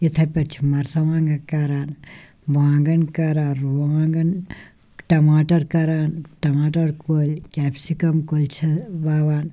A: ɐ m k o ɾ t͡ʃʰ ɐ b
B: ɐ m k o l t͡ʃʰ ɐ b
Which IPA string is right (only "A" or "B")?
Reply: B